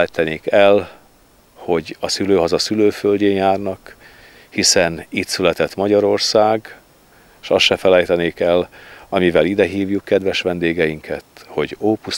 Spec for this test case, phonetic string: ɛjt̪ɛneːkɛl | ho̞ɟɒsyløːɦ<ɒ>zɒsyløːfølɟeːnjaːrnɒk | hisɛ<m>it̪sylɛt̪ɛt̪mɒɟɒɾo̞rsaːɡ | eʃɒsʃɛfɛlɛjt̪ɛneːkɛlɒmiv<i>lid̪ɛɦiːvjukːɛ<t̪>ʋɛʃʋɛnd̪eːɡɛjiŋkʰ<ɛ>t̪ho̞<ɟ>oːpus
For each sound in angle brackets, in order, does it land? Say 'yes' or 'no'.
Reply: yes, no, no, no, yes, yes

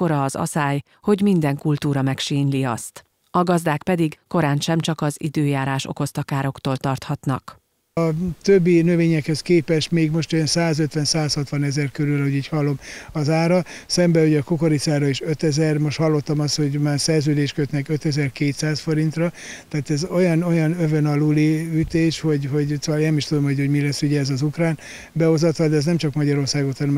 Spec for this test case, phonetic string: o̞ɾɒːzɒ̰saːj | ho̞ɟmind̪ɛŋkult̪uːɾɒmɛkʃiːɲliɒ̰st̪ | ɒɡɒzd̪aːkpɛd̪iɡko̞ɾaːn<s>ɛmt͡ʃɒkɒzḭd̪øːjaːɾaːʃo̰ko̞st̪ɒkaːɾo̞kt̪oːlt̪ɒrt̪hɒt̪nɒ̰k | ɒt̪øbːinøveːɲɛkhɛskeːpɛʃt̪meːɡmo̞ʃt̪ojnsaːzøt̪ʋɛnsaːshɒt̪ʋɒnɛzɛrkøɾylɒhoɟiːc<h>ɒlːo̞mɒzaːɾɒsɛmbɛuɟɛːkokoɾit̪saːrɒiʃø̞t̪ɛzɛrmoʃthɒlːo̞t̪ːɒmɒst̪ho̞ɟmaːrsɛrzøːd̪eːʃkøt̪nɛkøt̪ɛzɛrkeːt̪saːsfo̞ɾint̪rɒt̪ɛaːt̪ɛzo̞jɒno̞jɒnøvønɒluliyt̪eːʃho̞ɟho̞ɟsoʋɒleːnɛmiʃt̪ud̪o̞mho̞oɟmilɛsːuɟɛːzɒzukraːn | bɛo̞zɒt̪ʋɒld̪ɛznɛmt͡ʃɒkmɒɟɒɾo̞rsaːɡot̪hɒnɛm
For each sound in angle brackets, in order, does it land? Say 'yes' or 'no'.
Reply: no, yes

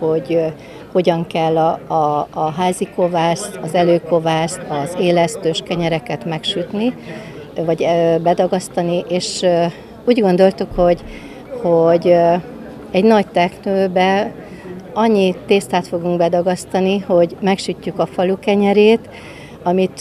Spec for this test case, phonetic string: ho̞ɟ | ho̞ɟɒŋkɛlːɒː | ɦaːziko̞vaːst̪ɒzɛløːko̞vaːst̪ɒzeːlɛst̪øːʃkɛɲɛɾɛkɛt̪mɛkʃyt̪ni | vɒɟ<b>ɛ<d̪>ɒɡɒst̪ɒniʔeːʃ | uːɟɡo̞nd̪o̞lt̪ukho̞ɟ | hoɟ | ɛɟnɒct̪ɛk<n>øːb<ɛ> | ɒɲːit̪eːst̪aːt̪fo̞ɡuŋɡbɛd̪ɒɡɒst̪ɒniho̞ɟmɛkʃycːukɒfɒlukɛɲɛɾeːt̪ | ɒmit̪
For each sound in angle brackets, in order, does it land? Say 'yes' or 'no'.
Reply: yes, yes, yes, yes

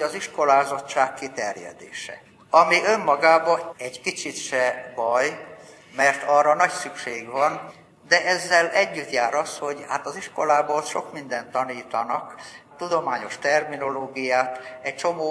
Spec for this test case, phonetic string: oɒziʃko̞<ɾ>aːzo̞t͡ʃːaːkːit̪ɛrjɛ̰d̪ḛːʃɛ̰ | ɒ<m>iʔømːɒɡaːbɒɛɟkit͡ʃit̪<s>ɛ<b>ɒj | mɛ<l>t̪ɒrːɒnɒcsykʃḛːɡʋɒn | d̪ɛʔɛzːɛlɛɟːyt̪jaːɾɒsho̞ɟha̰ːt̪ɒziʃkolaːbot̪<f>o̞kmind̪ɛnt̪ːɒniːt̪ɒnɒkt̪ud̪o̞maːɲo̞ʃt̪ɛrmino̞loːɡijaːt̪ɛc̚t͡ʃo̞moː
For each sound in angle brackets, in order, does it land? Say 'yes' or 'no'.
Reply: no, yes, no, yes, no, no

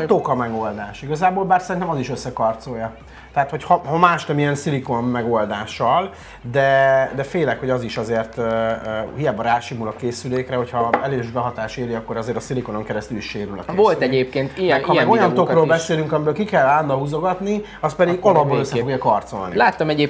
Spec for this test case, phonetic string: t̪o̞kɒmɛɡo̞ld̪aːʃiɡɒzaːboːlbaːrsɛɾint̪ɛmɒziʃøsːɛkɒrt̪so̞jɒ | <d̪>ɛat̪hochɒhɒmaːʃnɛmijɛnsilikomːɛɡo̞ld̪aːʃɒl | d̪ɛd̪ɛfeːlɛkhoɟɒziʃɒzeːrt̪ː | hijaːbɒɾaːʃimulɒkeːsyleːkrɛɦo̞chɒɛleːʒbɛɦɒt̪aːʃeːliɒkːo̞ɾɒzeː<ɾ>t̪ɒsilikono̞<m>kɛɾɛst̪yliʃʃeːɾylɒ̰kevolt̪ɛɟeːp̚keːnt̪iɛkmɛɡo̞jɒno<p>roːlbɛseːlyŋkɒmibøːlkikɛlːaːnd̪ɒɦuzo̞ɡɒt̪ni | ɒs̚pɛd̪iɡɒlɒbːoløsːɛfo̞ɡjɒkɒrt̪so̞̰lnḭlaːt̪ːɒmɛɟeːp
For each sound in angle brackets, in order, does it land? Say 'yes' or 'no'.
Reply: no, yes, no, no

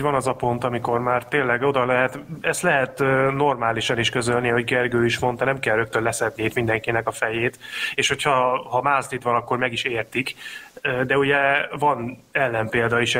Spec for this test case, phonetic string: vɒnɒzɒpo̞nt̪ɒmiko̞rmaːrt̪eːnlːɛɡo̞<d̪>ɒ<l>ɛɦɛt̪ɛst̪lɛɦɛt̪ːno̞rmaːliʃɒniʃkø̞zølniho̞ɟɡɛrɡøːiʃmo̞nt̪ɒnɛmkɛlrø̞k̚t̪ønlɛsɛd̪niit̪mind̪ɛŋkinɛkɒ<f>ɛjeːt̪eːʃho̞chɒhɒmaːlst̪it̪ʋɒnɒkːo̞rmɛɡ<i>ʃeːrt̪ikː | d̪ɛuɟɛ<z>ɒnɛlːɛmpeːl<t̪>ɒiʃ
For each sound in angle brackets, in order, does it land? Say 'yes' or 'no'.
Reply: yes, yes, yes, yes, no, no

